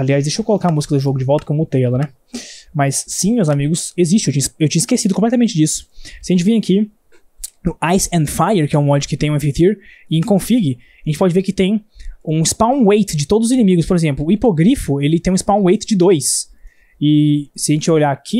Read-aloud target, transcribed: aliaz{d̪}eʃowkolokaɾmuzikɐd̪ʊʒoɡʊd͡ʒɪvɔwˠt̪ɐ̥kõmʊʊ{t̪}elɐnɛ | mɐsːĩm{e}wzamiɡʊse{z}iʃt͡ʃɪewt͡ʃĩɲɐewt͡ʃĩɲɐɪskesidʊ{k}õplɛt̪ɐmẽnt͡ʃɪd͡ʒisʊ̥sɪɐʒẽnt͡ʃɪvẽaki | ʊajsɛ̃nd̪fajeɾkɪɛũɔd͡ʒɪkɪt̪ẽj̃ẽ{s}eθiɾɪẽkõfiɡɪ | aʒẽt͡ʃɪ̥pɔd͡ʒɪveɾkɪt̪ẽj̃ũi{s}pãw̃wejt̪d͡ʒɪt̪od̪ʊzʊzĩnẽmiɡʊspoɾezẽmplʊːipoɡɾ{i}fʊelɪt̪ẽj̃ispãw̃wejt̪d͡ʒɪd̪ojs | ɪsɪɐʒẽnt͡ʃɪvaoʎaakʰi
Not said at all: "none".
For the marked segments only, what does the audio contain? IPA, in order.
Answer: d̪, t̪, e, z, k, f, s, i

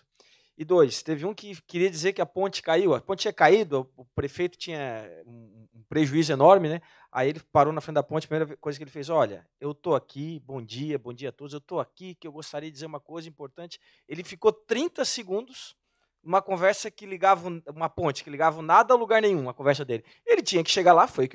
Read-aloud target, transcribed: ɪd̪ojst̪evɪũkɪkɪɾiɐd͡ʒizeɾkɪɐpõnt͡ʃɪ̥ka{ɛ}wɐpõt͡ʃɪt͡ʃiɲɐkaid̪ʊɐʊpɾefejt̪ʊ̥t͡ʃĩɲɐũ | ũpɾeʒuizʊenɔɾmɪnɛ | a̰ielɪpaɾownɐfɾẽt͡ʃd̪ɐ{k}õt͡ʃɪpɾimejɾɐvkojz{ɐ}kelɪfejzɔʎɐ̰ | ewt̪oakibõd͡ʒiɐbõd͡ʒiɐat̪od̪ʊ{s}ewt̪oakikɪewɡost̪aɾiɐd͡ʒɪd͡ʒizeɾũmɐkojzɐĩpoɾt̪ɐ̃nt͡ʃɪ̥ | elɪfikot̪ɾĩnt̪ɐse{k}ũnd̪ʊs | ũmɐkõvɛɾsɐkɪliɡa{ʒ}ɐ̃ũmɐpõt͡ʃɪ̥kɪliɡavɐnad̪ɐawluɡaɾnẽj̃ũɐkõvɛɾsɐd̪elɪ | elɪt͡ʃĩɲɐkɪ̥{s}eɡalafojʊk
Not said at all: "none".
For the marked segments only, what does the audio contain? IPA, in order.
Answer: i, p, ɐ, z, ɡ, v, ʃ

